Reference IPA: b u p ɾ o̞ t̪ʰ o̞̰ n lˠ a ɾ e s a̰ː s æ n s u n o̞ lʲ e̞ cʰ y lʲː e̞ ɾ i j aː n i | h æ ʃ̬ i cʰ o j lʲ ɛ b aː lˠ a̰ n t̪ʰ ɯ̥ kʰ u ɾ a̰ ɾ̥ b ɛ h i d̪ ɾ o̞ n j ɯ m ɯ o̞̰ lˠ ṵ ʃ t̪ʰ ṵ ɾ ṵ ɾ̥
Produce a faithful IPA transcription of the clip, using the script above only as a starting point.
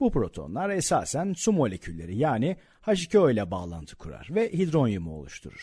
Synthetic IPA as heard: b u p ɾ o̞ t̪ʰ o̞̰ n lˠ a ɾ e s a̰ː s æ n s u m o̞ lʲ e̞ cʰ y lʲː e̞ ɾ i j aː n i | h a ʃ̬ i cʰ o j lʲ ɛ b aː lˠ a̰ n t̪ʰ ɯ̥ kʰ u ɾ a̰ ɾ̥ v ɛ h i d̪ ɾ o̞ n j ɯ m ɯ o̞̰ lˠ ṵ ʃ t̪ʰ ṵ ɾ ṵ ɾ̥